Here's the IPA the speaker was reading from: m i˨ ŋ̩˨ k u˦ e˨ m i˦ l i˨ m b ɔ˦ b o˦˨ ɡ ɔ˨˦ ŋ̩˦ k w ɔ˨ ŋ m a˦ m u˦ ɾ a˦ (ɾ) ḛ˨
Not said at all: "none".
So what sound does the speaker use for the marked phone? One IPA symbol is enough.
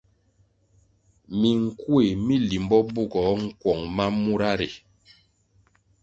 ɾ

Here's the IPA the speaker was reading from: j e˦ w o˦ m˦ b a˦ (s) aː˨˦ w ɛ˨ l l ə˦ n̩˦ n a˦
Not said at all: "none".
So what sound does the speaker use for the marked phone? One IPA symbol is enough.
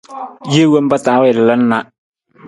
t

